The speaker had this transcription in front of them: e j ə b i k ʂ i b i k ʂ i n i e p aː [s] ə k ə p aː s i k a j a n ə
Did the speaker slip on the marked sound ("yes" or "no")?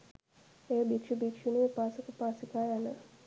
no